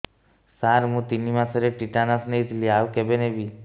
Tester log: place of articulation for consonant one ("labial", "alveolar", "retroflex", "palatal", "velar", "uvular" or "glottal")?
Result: alveolar